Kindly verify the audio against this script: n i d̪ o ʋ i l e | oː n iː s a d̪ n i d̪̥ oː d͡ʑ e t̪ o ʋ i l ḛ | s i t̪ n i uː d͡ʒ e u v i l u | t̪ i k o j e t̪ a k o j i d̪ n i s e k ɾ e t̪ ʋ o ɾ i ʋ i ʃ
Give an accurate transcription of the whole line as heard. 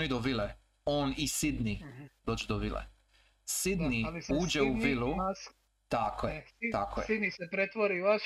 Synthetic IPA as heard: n i d̪ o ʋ i l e | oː n i s i d̪ n i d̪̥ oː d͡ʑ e d̪ o ʋ i l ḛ | s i d̪ n i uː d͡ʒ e u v i l u | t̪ a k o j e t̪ a k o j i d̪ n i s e p ɾ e t̪ ʋ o ɾ i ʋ a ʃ